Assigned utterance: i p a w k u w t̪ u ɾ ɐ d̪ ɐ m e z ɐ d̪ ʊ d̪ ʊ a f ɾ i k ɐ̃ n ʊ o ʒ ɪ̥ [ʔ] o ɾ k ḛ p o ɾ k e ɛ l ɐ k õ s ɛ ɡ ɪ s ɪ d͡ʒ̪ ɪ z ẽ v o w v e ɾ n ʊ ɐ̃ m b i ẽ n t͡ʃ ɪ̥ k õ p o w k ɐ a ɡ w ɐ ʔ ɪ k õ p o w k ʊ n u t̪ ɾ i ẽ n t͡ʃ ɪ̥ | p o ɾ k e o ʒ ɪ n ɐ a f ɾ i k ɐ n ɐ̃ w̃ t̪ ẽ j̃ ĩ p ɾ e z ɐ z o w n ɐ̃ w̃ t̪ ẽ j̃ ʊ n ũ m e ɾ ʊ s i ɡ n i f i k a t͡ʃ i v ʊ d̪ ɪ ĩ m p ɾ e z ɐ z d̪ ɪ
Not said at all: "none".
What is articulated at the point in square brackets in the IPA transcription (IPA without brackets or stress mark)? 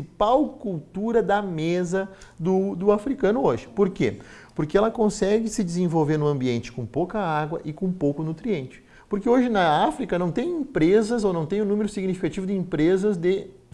p